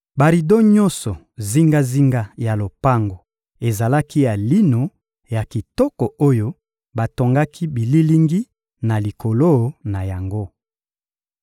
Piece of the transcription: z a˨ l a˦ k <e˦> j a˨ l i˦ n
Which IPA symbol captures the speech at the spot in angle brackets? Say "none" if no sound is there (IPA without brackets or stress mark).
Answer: i˦